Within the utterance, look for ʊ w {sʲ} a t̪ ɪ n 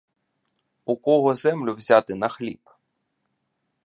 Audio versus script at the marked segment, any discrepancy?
yes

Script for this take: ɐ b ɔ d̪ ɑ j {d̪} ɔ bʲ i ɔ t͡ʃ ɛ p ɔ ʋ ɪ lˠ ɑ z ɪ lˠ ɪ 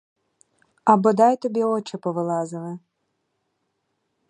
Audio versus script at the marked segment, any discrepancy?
yes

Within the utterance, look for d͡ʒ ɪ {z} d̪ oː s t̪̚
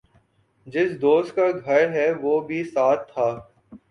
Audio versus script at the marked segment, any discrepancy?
yes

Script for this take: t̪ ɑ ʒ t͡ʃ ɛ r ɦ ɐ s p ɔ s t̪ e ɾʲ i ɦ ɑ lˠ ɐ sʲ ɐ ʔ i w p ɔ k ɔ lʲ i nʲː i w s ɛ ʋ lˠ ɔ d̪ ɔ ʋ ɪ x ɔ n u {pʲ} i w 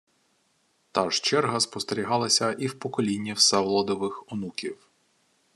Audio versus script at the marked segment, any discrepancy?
yes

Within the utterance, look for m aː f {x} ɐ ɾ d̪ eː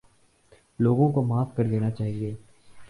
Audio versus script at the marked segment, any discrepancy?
yes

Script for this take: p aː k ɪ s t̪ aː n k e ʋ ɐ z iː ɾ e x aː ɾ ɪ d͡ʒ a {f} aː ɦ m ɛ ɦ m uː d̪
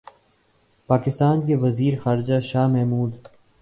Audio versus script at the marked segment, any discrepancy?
yes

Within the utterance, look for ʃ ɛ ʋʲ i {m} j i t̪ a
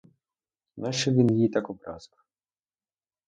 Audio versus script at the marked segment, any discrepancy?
yes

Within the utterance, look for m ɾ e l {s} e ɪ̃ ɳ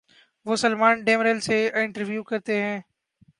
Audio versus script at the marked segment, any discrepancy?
no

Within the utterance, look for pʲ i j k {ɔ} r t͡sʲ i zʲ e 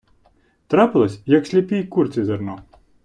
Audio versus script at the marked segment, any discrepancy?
yes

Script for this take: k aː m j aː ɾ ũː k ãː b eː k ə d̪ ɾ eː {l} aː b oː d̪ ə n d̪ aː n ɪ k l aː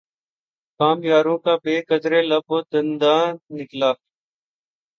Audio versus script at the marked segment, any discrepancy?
no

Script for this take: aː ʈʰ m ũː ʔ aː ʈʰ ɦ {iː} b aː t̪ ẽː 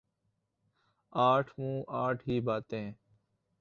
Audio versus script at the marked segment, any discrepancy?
no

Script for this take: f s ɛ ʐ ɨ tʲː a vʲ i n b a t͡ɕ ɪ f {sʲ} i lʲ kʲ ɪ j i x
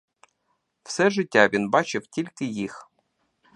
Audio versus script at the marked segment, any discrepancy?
yes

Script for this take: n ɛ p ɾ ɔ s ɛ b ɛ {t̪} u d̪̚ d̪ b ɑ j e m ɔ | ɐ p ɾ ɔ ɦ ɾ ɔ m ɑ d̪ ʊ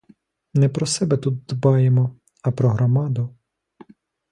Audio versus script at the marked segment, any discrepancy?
no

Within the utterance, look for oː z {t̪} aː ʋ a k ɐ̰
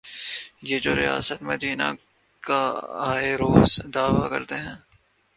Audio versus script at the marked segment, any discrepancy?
yes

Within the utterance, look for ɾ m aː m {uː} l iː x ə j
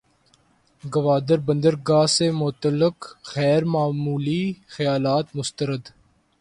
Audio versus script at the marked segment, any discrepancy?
no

